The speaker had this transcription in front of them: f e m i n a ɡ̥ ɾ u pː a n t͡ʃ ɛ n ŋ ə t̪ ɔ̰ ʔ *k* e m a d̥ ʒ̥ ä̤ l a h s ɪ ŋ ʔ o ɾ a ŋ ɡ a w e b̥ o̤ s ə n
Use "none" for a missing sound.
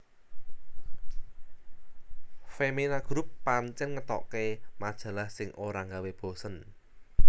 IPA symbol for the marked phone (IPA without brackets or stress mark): k